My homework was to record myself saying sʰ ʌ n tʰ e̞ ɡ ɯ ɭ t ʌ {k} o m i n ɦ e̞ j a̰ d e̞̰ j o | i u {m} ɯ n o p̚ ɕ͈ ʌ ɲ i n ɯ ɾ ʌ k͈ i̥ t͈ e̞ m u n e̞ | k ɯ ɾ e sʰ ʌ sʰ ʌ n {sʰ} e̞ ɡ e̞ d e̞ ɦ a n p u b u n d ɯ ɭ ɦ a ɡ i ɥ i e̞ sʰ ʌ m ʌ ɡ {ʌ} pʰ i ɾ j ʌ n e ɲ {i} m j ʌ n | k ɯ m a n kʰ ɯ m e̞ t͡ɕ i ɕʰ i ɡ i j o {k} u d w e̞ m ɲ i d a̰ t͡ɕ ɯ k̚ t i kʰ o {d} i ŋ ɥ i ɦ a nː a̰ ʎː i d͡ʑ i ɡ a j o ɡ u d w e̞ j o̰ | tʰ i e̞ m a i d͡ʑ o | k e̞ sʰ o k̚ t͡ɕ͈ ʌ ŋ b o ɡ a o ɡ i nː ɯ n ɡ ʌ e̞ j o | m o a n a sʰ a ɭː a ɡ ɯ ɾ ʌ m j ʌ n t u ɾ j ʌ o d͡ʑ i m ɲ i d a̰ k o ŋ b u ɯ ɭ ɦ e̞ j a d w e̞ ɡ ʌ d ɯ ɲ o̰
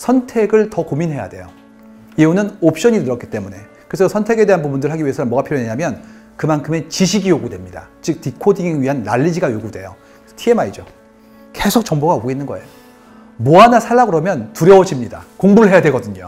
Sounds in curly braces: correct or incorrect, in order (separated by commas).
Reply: correct, incorrect, incorrect, incorrect, incorrect, incorrect, correct